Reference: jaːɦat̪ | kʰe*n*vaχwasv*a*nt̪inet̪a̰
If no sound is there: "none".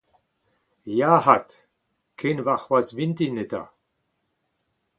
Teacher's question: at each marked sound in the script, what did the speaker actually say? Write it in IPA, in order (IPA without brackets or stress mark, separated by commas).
n, i